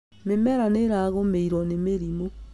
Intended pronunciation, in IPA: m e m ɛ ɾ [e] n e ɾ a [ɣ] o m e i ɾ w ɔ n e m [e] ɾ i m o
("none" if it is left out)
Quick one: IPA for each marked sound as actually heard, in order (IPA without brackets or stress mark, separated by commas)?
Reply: a, ɣ, e